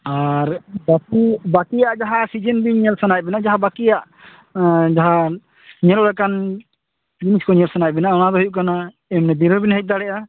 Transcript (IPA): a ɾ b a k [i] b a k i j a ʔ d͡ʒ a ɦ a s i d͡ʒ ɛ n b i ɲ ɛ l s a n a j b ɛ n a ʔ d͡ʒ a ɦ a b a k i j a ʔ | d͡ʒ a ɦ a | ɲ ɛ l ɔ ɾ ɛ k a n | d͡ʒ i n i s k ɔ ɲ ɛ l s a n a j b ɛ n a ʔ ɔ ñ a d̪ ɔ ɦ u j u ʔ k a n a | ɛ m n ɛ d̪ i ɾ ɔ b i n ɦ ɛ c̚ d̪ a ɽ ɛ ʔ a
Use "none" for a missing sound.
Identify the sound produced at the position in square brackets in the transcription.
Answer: i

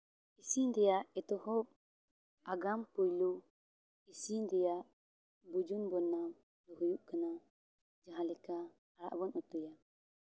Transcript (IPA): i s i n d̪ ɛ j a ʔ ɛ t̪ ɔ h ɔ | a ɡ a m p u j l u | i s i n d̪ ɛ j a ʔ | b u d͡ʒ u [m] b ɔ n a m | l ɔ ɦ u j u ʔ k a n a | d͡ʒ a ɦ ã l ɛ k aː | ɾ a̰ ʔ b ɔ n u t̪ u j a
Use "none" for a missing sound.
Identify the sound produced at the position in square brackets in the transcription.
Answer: n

